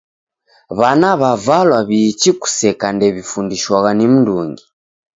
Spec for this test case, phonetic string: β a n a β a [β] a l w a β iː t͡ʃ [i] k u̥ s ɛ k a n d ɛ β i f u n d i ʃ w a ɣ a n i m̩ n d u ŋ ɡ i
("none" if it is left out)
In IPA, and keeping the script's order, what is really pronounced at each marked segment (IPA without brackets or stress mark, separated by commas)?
v, i